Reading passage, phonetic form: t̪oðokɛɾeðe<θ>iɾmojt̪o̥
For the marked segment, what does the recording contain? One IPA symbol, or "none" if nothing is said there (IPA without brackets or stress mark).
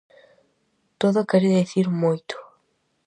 θ